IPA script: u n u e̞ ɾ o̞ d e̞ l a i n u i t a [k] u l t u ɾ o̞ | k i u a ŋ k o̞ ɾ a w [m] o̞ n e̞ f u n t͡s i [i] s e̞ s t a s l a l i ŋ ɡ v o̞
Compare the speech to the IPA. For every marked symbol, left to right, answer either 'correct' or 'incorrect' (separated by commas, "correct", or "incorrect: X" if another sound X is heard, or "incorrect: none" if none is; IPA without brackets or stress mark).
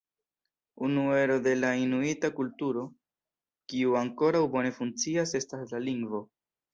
correct, incorrect: b, incorrect: a